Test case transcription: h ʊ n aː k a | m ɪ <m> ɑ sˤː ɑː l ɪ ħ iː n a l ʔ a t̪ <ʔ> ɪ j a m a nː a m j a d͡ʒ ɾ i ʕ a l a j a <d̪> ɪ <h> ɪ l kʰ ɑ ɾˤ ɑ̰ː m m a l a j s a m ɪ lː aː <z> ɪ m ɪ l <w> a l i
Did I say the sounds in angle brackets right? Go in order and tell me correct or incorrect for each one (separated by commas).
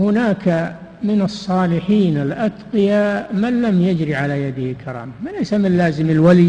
incorrect, incorrect, correct, correct, correct, correct